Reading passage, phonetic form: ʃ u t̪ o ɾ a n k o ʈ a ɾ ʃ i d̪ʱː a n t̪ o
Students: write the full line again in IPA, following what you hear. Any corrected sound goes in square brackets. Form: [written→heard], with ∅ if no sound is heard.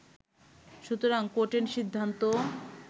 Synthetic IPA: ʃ u t̪ o ɾ a [n→ŋ] k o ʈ [a→e] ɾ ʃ i d̪ʱː a n t̪ o